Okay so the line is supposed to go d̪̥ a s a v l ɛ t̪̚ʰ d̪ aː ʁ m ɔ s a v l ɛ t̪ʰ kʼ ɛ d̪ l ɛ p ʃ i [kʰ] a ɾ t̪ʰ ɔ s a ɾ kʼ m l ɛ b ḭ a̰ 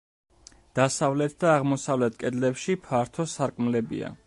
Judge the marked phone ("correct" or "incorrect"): incorrect